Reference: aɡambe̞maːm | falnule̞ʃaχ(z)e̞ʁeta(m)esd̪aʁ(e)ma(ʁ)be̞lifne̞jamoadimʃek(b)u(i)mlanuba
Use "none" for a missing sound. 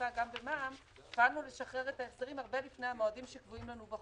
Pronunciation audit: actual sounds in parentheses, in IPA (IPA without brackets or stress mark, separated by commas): ʁ, none, i, ʁ, v, i